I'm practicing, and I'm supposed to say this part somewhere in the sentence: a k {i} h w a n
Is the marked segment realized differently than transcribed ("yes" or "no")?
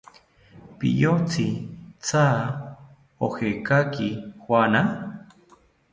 no